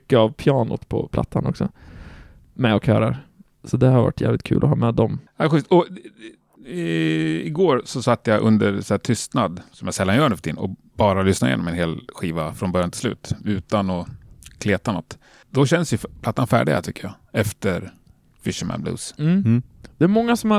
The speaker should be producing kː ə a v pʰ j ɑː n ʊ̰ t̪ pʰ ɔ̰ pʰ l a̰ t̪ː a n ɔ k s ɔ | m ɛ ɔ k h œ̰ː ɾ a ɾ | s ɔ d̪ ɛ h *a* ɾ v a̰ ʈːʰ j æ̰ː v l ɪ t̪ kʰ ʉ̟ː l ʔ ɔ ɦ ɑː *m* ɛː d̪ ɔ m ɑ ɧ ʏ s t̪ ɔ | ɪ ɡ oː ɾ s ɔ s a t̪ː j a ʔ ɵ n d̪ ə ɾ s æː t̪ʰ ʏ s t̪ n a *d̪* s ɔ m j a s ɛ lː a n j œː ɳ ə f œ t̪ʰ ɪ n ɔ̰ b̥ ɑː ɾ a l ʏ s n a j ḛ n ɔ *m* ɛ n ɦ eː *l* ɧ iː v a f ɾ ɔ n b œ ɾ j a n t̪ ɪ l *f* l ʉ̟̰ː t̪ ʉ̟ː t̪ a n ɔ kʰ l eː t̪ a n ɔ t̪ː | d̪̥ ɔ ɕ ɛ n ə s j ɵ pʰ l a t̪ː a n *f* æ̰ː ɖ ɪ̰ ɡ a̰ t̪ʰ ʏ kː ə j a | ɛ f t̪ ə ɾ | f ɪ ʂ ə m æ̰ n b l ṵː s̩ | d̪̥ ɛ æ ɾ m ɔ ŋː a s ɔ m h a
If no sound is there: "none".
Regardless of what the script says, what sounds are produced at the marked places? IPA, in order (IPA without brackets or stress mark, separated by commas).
a, m, d̪, m, l, s, f